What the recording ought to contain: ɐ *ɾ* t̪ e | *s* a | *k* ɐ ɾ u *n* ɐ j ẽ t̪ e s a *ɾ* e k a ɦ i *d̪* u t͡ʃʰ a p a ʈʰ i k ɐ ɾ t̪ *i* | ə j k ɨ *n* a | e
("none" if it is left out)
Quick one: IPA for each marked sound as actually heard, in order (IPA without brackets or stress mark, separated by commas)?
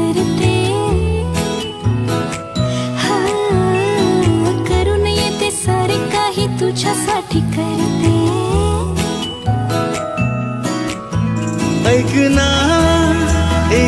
ɾ, h, k, n, ɾ, t̪, e, n